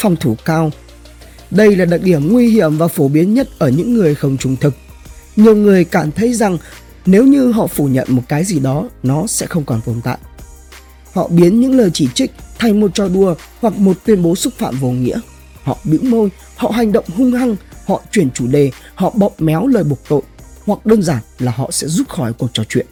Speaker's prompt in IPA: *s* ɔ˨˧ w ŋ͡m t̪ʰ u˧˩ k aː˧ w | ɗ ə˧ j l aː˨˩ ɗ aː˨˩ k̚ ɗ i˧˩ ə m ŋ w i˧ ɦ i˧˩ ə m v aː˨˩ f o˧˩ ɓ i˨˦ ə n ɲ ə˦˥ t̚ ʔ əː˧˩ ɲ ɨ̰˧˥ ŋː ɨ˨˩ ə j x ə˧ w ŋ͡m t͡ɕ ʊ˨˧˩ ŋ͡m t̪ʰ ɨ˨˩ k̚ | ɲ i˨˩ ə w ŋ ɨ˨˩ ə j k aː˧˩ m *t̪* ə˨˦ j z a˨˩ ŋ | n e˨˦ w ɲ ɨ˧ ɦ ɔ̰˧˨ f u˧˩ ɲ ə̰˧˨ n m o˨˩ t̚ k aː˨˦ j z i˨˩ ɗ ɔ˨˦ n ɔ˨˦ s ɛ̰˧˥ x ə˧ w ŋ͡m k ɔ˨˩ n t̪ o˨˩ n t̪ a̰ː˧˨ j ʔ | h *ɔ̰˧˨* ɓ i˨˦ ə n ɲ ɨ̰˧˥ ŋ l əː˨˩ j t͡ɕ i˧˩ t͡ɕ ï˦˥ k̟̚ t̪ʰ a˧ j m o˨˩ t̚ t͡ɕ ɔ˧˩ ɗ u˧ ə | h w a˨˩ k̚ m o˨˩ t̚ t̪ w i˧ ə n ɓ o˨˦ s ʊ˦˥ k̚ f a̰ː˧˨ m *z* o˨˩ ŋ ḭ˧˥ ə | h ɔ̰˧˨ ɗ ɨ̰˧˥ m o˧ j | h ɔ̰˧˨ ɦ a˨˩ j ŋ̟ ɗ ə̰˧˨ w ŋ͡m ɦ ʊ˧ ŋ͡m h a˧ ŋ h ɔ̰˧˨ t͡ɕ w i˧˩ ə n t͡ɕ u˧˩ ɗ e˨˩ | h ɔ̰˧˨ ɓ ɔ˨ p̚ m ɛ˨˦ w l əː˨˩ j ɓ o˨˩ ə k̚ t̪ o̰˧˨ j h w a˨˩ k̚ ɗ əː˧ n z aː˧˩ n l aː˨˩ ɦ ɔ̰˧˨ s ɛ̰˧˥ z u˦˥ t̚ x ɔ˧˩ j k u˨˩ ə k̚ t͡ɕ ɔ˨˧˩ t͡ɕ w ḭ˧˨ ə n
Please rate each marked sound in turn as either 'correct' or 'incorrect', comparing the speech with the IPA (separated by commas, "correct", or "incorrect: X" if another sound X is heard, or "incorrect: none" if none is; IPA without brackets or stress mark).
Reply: incorrect: f, incorrect: t̪ʰ, correct, incorrect: v